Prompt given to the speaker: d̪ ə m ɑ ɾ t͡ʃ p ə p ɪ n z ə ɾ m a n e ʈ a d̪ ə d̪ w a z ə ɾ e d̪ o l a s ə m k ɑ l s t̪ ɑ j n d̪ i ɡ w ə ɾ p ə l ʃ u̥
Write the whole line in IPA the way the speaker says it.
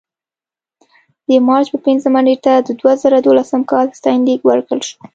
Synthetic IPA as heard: d̪ ə m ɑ ɾ t͡ʃ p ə p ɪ n z ə m a n e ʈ a d̪ ə d̪ w a z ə ɾ a d̪ o l a s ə m k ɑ l s t̪ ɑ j n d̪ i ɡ w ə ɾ k ə l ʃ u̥